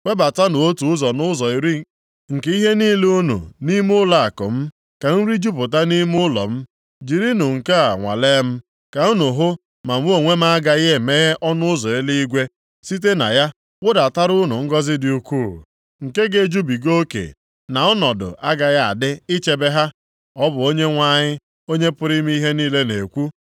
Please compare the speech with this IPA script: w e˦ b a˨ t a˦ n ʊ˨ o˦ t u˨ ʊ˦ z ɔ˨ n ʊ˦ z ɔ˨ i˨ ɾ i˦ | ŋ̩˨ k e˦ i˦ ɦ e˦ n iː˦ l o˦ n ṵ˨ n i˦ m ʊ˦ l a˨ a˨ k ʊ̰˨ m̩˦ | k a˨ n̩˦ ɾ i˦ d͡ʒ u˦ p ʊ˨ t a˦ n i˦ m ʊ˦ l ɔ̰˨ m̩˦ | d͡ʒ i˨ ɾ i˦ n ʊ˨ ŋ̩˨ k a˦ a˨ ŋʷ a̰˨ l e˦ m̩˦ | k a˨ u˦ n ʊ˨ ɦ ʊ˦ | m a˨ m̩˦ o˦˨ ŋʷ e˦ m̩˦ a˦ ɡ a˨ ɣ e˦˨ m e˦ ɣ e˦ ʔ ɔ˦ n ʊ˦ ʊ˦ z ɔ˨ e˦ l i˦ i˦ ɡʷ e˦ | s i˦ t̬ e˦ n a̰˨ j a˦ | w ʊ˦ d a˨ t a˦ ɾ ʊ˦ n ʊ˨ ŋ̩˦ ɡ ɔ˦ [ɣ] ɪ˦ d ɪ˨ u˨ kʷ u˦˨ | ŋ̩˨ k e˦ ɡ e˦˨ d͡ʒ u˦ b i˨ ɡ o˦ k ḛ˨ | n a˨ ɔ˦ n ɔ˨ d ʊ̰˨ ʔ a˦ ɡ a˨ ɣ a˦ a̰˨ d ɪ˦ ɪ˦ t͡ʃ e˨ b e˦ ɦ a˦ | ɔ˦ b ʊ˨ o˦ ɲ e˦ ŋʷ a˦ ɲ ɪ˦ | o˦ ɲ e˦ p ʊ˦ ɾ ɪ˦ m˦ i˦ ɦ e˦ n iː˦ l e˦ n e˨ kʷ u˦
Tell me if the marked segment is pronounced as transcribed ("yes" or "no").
no